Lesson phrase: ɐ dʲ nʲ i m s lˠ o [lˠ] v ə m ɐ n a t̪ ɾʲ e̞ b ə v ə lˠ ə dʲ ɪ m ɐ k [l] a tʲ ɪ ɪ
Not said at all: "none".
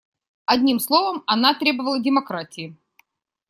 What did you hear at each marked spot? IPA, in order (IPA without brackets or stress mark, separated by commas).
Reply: none, ɾ